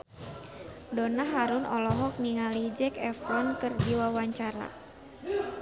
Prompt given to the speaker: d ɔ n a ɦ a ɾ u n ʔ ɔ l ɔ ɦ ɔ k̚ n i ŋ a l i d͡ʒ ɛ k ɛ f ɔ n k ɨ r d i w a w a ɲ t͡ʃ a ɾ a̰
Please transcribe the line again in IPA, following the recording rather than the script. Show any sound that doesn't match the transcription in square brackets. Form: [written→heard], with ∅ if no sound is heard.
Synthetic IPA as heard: d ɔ n a ɦ a ɾ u n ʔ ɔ l ɔ ɦ ɔ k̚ n i ŋ a l i d͡ʒ ɛ k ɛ f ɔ n k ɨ r d i w a w a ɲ t͡ʃ a ɾ a̰